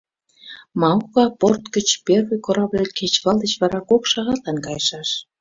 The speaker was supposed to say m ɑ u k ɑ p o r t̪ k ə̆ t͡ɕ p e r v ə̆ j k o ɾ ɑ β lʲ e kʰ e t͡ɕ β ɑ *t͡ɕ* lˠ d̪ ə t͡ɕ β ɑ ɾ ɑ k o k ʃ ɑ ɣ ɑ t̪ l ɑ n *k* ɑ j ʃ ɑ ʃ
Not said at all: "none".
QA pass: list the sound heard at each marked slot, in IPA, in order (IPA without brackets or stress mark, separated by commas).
none, k